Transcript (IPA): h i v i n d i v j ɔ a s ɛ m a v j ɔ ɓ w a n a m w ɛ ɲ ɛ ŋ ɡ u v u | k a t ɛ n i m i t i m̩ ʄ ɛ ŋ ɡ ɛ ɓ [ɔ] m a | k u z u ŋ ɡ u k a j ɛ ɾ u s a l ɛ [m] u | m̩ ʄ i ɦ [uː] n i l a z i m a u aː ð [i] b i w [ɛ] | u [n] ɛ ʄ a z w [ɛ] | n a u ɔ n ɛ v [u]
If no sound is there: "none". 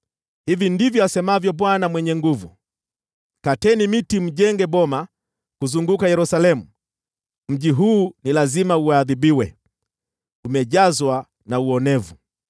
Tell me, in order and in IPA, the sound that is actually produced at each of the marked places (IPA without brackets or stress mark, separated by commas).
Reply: ɔ, m, uː, i, ɛ, m, a, u